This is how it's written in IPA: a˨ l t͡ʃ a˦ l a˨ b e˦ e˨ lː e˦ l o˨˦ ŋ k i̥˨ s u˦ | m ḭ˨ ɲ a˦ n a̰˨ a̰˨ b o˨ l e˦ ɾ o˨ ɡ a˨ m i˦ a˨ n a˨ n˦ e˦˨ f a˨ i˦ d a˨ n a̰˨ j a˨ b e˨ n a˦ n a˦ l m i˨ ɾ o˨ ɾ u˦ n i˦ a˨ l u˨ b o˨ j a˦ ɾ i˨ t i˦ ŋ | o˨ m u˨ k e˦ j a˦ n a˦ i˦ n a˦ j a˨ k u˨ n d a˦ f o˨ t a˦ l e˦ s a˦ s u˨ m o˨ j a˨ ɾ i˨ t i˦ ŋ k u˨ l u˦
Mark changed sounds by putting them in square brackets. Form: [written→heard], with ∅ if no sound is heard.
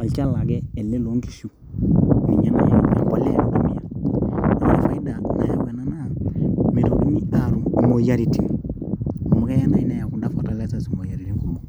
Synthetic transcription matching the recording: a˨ l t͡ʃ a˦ l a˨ [b→ɡ] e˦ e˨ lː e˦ l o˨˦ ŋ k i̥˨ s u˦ | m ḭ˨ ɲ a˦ n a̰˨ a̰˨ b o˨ l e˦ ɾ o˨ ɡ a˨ m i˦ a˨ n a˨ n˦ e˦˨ f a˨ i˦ d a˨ n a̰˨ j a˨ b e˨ n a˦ n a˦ [l→∅] m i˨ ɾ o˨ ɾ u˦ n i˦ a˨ [l→ɾ] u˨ [b→m] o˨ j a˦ ɾ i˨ t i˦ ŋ | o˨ m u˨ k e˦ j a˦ n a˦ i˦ n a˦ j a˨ k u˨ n d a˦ f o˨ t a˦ l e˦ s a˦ s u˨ m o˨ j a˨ ɾ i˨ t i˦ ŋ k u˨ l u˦